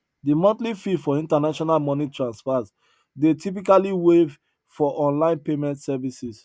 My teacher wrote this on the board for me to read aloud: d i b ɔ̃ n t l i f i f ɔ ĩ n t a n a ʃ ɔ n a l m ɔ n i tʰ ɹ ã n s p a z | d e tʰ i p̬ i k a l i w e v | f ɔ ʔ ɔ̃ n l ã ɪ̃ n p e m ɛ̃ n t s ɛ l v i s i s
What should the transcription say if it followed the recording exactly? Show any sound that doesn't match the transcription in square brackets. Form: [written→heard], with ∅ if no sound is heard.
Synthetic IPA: d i [b→m] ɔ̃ n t l i f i f ɔ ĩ n t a n a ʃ ɔ n a l m ɔ n i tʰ ɹ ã n s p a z | d e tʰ i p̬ i k a l i w e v | f ɔ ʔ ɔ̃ n l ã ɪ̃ n p e m ɛ̃ n t s ɛ [l→∅] v i s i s